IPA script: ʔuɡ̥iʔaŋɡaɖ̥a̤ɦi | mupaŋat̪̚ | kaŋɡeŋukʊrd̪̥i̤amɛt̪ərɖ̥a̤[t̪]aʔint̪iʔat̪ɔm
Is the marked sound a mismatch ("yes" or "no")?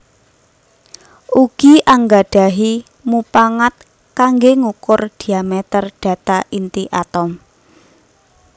no